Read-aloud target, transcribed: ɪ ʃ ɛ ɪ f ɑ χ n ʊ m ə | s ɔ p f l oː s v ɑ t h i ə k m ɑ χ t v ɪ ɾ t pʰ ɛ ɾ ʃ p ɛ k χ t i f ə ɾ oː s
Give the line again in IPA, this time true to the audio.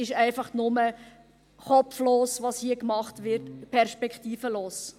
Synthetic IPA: ɪ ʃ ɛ ɪ f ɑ χ n ʊ m ə | χ ɔ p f l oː s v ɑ s h i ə k m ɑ χ t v ɪ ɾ t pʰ ɛ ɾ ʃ p ɛ k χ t iː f ə l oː s